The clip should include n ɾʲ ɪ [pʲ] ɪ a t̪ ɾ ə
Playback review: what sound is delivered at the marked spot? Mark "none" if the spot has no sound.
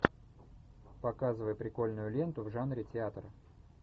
tʲ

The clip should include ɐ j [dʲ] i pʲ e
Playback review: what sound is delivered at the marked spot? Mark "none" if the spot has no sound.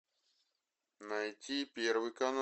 tʲ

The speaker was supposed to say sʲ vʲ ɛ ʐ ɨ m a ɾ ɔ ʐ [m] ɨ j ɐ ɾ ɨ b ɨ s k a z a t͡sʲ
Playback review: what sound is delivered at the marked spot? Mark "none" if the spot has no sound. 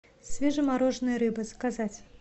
n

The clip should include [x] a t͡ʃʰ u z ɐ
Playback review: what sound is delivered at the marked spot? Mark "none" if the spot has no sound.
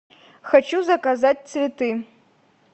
x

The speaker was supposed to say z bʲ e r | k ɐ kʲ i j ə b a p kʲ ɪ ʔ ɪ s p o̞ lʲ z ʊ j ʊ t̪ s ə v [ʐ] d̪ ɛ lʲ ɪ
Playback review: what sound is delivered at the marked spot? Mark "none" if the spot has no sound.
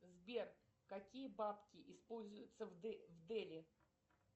v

